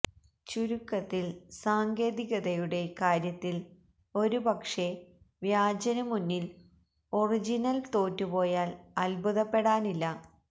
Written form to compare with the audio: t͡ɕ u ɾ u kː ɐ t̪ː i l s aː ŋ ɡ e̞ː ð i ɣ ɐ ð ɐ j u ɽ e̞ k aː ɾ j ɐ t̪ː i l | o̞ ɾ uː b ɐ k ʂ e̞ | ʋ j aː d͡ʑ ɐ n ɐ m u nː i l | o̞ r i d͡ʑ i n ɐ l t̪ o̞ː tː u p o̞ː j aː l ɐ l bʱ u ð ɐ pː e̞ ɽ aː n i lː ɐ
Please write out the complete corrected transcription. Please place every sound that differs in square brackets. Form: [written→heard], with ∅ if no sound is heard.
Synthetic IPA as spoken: t͡ɕ u ɾ u kː ɐ t̪ː i l s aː ŋ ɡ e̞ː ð i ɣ ɐ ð ɐ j u ɽ e̞ k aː ɾ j ɐ t̪ː i l | o̞ ɾ [uː→u] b ɐ k ʂ e̞ | ʋ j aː d͡ʑ ɐ n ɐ m u nː i l | o̞ r i d͡ʑ i n ɐ l t̪ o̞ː tː u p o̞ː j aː l ɐ l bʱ u ð ɐ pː e̞ ɽ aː n i lː ɐ